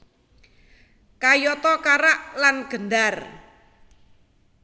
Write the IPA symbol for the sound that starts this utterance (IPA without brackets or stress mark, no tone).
k